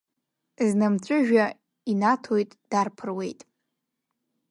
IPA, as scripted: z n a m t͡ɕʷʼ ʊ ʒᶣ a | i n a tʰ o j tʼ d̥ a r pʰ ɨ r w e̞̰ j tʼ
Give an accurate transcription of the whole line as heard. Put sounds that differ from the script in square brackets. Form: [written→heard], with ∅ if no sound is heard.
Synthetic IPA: z n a m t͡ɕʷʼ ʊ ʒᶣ a | i n a tʰ o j tʼ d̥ a r pʰ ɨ r w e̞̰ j tʼ